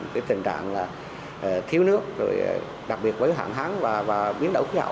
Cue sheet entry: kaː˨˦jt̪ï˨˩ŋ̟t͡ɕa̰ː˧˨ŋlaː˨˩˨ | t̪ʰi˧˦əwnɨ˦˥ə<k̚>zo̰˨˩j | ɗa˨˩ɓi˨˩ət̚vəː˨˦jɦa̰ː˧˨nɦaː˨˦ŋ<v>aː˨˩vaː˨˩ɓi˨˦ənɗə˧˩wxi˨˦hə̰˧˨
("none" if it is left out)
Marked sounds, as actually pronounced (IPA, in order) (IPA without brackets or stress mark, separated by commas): k̚, v